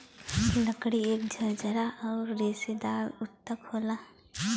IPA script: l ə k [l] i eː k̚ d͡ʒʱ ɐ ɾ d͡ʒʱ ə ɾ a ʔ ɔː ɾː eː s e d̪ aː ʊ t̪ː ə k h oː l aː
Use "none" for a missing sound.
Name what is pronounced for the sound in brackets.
ɽ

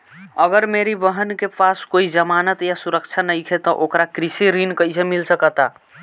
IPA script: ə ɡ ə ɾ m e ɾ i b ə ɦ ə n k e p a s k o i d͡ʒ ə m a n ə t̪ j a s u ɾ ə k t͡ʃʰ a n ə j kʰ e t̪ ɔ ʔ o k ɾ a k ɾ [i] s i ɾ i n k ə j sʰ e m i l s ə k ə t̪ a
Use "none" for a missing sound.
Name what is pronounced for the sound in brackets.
i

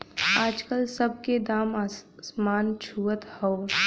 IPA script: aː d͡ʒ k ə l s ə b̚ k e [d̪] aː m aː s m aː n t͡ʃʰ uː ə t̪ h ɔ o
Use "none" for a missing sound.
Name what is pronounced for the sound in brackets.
d̪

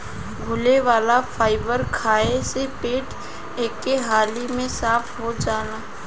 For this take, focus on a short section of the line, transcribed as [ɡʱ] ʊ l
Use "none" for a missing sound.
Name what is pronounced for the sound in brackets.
ɡʱ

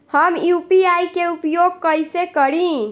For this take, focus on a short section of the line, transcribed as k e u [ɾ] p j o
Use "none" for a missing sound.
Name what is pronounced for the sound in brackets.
none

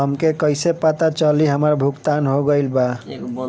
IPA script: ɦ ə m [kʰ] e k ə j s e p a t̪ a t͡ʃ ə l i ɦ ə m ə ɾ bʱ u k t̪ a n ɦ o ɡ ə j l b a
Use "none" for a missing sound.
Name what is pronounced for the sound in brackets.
k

